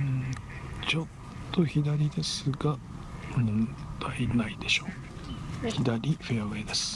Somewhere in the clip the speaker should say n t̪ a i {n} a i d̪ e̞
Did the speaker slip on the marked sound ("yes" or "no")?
no